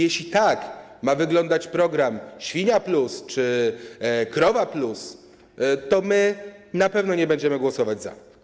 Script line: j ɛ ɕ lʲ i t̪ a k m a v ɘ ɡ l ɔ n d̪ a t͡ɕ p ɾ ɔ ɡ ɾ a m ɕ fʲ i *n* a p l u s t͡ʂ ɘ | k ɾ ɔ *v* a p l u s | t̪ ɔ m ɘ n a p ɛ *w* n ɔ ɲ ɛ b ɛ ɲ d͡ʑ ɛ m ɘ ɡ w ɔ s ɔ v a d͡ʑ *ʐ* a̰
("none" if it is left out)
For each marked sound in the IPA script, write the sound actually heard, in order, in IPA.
ɲ, v, v, z

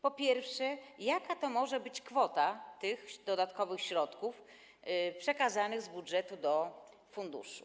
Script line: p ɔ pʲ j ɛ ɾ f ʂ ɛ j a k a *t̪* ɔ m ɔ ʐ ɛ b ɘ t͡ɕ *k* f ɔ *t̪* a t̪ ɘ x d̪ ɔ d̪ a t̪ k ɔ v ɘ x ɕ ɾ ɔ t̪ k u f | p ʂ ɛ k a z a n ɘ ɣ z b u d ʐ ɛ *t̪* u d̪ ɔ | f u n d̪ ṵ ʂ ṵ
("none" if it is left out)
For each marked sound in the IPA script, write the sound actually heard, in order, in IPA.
t̪, k, t̪, t̪

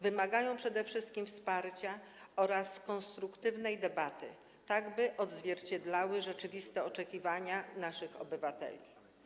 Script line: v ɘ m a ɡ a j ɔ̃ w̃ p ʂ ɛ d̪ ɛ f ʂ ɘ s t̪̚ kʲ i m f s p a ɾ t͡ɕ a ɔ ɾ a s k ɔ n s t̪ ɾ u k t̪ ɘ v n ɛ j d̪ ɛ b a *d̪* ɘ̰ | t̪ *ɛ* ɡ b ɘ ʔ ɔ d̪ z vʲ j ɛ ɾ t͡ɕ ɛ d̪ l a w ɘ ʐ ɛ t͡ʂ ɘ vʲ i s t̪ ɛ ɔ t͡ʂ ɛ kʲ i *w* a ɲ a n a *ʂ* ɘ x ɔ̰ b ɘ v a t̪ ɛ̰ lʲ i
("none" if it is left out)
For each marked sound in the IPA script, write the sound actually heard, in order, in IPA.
t̪, a, v, ʂ

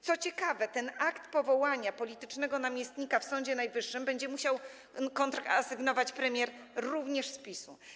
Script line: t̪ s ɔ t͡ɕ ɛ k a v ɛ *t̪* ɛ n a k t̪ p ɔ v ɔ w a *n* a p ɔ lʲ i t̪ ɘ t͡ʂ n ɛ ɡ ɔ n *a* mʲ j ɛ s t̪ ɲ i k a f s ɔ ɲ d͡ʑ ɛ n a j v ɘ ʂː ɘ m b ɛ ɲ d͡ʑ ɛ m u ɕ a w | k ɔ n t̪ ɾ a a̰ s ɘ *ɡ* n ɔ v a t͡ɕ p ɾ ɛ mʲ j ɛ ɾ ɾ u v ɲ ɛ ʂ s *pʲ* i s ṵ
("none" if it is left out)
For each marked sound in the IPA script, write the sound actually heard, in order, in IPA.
t̪, ɲ, a, ɡ, pʲ

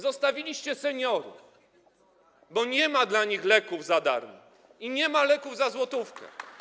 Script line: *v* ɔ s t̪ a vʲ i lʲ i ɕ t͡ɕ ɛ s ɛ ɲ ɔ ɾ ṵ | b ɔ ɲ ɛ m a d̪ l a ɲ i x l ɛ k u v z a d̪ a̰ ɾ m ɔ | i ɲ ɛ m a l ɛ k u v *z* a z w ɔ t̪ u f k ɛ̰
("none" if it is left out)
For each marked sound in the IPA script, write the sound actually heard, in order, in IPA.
z, z

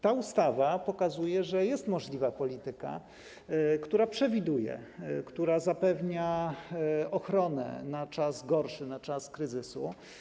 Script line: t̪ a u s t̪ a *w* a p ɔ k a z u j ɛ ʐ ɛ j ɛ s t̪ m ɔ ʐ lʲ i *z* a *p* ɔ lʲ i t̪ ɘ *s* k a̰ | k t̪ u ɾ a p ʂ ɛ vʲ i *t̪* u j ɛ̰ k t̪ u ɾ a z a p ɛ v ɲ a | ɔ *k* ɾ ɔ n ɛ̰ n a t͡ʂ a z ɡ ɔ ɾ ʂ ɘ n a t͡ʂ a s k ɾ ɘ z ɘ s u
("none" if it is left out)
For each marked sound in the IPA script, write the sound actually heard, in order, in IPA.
v, v, p, none, d̪, x

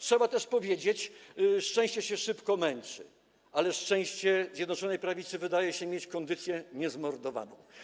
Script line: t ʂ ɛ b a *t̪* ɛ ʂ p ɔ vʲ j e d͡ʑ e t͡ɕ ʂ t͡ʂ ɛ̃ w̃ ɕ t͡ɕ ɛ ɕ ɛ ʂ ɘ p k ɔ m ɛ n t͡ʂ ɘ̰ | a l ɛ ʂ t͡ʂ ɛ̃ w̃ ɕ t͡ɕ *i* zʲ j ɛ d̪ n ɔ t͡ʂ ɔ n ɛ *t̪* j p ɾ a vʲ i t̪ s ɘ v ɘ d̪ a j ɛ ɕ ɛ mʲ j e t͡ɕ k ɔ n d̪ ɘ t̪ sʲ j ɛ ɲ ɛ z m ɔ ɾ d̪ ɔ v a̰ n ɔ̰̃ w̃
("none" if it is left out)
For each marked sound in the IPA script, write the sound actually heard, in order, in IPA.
t̪, ɛ, none

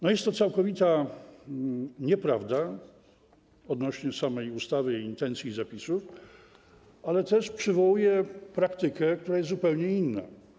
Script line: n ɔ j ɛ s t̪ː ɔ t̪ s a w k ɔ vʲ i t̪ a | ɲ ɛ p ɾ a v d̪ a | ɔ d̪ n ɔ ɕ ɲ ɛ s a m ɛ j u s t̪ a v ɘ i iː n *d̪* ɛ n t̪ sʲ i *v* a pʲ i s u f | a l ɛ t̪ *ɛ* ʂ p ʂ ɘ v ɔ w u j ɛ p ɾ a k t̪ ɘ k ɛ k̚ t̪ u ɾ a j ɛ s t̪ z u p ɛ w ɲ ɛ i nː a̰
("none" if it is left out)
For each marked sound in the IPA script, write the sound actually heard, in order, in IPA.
t̪, z, ɛ

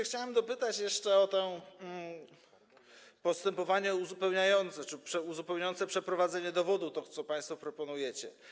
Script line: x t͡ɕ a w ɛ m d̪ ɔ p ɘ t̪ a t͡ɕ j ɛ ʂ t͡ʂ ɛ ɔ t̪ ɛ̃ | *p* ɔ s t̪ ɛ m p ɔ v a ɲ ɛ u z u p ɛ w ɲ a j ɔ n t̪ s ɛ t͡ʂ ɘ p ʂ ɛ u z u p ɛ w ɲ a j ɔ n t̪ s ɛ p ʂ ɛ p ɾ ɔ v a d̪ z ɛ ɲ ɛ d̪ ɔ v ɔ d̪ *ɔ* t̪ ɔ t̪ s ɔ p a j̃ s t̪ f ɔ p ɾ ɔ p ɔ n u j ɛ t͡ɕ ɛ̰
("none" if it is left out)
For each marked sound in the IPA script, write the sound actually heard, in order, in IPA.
p, u

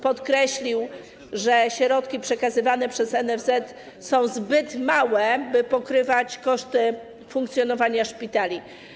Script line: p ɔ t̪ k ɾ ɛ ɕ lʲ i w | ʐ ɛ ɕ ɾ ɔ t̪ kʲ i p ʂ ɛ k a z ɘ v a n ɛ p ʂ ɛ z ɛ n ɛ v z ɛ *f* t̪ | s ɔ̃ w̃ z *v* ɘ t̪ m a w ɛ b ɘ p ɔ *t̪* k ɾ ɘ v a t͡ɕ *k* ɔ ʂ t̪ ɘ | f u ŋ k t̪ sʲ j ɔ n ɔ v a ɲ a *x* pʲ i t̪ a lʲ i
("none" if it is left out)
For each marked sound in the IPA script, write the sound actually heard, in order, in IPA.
none, b, none, k, ʂ

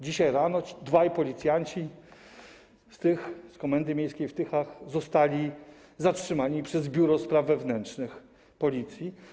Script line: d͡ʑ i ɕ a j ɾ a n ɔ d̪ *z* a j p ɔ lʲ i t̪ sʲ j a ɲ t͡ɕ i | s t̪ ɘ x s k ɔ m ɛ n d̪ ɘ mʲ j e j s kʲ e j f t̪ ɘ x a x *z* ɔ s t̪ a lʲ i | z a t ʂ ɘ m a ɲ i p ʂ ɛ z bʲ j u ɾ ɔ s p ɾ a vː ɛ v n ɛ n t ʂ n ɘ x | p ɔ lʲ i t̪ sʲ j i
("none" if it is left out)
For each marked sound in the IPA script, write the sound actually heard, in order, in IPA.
v, z

